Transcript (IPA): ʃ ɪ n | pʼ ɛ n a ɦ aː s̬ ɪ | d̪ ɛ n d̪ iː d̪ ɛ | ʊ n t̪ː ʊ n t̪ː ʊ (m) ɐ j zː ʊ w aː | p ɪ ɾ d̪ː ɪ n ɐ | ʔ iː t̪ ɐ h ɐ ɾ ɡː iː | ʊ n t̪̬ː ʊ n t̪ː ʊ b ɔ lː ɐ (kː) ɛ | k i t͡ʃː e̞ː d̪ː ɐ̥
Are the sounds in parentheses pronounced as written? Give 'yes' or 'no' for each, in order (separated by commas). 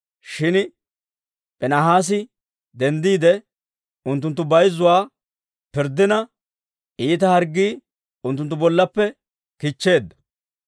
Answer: no, no